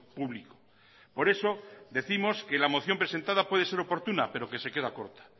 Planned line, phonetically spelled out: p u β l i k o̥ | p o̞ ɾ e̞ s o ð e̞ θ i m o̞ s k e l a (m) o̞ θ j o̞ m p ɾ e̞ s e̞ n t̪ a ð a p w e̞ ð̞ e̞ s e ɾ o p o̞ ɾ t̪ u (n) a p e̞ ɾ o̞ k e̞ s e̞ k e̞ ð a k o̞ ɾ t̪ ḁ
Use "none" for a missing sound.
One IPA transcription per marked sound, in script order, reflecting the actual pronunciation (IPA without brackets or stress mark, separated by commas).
m, n